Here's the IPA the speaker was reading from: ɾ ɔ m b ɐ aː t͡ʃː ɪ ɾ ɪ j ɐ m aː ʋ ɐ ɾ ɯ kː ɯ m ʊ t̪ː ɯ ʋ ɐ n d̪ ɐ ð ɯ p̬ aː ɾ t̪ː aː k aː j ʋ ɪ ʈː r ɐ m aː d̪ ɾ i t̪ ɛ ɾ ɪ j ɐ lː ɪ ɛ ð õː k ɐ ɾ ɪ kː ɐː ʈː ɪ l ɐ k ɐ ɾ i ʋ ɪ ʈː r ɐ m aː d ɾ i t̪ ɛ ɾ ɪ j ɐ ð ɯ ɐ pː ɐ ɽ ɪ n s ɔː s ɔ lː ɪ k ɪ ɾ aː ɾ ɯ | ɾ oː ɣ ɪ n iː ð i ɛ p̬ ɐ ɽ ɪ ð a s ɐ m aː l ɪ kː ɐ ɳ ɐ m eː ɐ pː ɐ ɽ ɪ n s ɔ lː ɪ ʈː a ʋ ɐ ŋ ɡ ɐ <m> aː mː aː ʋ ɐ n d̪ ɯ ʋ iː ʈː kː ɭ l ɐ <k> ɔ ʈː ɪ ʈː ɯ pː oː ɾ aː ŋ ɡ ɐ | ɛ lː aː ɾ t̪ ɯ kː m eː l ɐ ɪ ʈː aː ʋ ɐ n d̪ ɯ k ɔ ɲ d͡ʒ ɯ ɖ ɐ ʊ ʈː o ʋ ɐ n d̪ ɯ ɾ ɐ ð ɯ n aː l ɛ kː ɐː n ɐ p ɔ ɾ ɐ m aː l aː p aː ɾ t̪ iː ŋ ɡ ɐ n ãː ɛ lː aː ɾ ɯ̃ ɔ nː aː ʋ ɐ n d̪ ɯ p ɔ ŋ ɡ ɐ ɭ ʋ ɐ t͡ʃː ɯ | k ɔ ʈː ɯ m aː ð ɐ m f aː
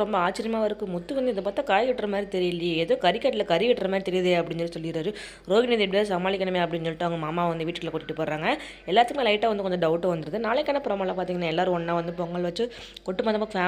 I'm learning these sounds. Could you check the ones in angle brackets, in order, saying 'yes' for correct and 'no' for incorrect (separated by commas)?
yes, yes